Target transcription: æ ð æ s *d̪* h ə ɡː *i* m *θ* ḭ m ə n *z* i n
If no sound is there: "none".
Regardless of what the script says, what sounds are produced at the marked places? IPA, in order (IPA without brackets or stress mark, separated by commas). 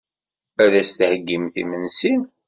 t̪, i, θ, s